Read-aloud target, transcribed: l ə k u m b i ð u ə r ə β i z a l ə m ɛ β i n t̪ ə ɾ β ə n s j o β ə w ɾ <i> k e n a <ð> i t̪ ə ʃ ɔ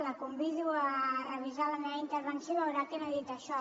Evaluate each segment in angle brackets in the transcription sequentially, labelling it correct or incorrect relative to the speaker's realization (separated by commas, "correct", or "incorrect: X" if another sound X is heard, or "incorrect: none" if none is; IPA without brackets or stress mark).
incorrect: a, correct